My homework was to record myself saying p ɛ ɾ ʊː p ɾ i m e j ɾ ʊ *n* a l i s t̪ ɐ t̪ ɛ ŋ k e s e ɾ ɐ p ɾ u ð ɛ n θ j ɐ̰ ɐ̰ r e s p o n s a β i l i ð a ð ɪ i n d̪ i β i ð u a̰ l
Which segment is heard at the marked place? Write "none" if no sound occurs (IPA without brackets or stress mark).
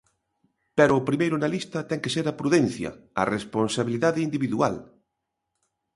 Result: n